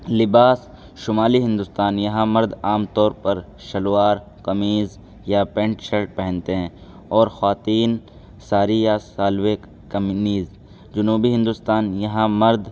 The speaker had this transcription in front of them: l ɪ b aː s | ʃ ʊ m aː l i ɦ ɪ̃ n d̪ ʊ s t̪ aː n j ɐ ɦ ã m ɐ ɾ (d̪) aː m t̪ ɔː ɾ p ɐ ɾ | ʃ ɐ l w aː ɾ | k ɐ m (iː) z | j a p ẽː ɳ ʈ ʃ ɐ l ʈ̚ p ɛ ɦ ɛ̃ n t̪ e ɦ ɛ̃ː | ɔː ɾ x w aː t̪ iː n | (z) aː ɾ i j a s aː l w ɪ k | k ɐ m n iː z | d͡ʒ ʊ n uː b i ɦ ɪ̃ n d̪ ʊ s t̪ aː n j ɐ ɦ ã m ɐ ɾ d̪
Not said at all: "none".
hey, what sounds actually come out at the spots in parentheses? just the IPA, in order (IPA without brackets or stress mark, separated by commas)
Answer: d̪, iː, s